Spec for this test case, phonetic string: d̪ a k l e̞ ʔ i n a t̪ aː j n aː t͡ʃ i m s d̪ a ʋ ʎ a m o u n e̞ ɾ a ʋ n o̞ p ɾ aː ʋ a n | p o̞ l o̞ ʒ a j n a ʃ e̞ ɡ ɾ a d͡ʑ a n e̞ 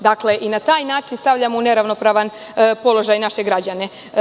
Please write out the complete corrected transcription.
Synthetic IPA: d̪ a k l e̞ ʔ i n a t̪ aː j n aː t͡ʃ i n s t̪ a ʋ ʎ a m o u n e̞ ɾ a ʋ n o̞ p ɾ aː ʋ a n | p o̞ l o̞ ʒ a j n a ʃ e̞ ɡ ɾ a d͡ʑ a n e̞